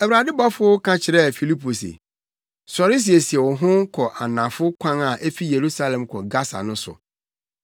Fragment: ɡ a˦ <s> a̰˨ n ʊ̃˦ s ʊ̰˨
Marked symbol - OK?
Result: yes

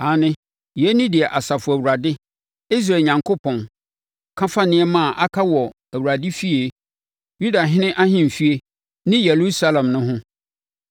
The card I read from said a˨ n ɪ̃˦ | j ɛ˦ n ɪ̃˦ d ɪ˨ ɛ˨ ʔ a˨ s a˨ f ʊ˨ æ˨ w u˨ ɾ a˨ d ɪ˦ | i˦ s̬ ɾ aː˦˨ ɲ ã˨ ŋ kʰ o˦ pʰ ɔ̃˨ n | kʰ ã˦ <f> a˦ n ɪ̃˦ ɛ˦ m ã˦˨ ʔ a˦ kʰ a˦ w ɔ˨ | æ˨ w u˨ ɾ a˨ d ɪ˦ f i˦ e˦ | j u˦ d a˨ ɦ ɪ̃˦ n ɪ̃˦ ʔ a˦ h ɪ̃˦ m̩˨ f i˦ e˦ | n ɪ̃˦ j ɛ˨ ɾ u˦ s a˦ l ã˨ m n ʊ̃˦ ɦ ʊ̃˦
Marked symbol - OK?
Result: yes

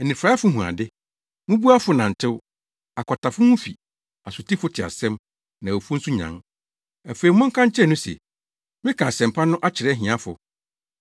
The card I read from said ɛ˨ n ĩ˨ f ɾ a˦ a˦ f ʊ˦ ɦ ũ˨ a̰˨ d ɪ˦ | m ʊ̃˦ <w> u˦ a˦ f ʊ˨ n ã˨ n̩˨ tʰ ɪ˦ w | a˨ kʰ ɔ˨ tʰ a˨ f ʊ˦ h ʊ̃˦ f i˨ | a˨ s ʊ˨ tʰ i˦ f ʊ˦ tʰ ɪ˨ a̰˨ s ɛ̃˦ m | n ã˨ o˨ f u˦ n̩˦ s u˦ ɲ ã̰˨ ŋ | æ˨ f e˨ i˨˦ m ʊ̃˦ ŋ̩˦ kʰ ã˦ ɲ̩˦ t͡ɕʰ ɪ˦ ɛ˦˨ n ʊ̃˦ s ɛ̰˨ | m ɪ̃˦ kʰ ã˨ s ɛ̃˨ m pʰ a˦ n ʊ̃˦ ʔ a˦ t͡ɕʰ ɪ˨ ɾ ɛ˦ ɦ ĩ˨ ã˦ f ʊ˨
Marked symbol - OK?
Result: no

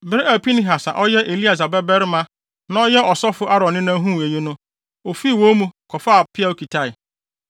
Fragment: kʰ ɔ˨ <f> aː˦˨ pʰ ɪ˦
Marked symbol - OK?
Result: yes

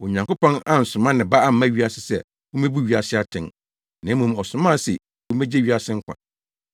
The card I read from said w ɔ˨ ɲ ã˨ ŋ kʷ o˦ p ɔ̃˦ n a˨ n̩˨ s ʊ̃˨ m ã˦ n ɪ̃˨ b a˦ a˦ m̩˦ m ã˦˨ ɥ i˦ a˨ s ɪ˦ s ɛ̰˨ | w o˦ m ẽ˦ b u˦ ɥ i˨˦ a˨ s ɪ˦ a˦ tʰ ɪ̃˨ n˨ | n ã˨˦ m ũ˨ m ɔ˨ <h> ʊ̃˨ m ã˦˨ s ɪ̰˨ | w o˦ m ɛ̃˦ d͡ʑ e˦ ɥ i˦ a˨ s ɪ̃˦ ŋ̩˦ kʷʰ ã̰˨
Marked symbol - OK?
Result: no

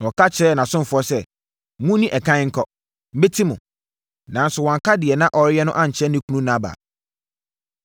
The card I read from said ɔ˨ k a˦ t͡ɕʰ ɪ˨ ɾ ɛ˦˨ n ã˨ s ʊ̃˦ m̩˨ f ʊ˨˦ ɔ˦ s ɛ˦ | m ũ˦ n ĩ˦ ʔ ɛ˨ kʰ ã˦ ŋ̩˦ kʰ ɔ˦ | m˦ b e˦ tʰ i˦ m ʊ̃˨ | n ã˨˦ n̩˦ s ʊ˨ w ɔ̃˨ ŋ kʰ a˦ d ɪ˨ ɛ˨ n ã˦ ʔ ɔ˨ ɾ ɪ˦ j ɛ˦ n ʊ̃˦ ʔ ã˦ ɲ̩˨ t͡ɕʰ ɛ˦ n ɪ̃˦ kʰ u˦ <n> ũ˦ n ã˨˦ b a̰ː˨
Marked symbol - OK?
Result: yes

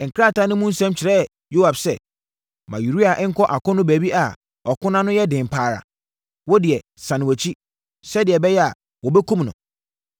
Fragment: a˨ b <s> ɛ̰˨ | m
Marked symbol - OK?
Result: yes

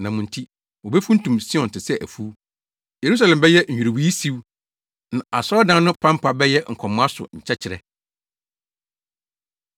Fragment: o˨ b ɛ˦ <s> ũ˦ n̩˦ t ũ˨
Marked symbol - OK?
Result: no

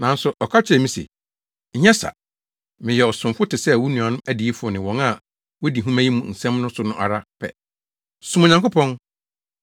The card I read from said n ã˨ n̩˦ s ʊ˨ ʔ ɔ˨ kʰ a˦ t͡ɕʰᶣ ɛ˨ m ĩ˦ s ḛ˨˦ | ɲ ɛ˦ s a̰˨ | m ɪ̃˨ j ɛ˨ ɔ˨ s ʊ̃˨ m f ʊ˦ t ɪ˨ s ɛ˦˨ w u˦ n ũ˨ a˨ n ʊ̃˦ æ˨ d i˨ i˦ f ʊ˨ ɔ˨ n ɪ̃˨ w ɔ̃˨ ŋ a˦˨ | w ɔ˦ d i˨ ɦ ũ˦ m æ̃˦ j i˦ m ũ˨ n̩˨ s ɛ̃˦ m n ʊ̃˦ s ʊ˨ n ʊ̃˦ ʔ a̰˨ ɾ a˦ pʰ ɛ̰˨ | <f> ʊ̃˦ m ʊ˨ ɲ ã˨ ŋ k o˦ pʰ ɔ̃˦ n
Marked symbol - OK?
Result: no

